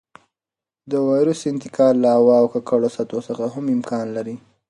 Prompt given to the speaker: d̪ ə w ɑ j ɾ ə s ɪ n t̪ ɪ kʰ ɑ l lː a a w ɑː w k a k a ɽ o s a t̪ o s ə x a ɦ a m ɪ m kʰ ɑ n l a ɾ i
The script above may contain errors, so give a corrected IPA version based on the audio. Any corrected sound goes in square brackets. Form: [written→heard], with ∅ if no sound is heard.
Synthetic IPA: d̪ ə w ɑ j ɾ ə s ɪ n t̪ ɪ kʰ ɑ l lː a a w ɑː w k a k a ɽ o s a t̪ o s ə x a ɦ a m ɪ m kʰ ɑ n l a ɾ i